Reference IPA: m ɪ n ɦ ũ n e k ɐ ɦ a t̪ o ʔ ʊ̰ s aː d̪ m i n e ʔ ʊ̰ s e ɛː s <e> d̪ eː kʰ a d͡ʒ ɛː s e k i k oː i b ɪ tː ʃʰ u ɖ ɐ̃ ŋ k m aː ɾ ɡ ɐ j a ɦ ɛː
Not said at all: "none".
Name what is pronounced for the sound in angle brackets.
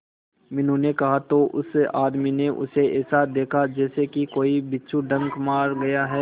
a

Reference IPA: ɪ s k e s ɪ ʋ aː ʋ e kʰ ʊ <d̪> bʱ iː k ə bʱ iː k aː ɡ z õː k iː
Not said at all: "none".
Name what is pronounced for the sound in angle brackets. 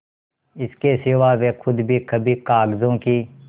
d̪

